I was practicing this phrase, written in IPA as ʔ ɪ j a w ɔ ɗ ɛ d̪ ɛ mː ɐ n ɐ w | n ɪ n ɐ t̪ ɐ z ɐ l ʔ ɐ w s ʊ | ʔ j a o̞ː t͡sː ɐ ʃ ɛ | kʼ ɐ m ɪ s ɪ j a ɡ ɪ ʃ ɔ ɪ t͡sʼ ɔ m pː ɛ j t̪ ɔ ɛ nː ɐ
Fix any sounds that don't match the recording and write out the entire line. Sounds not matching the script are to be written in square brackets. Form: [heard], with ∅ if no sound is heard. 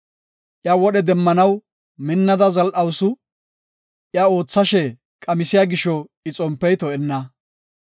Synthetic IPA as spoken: ʔ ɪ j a w ɔ ɗ ɛ d̪ ɛ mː ɐ n ɐ w | [m] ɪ [nː] ɐ [d̪] ɐ z ɐ l ʔ ɐ w s ʊ | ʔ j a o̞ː t͡sː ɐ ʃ ɛ | kʼ ɐ m ɪ s ɪ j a ɡ ɪ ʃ ɔ ɪ t͡sʼ ɔ m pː ɛ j t̪ ɔ ɛ nː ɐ